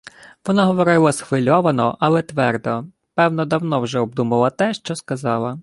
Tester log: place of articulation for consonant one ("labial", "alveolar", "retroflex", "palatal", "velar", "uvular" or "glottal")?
labial